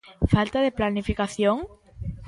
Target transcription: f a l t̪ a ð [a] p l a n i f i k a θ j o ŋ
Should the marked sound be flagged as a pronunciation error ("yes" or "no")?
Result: yes